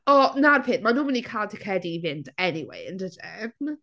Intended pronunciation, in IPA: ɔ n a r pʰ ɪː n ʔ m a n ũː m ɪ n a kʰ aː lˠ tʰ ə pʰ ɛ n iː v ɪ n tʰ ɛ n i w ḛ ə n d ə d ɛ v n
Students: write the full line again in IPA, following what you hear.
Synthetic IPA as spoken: ɔ n a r pʰ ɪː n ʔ m a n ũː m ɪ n i kʰ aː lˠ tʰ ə kʰ ɛ d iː v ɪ n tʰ ɛ n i w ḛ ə n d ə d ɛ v n